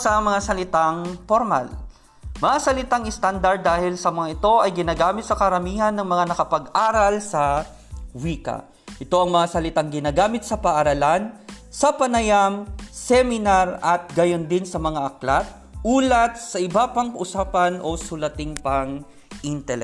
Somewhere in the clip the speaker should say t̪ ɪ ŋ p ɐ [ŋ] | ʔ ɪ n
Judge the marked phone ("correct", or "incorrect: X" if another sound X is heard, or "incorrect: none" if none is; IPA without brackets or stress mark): correct